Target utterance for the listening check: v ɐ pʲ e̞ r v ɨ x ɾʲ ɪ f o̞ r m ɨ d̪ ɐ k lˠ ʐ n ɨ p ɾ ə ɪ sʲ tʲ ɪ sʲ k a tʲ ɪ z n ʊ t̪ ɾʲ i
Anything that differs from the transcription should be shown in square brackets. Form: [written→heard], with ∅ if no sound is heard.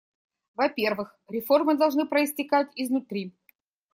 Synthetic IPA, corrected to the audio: v ɐ pʲ e̞ r v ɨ x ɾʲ ɪ f o̞ r m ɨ d̪ ɐ [k→∅] lˠ ʐ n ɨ p ɾ ə ɪ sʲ tʲ ɪ [sʲ→∅] k a tʲ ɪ z n ʊ t̪ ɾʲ i